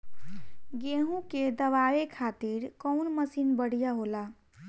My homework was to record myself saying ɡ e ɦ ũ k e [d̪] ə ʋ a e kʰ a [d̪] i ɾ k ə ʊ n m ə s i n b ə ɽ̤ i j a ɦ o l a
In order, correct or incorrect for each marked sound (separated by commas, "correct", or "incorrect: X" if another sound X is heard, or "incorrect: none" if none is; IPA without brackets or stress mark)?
correct, incorrect: t̪